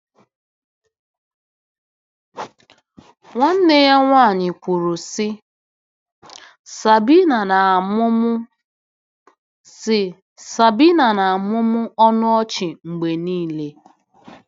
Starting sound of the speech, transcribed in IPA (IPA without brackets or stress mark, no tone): ŋʷ